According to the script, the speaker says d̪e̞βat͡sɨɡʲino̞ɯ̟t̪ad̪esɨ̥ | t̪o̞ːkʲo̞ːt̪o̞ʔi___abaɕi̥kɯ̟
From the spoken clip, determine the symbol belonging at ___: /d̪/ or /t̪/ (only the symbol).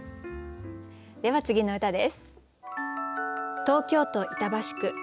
t̪